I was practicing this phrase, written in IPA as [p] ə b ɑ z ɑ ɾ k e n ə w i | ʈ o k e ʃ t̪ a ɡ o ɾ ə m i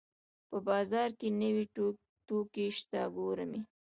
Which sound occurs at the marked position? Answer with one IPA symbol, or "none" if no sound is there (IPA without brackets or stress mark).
p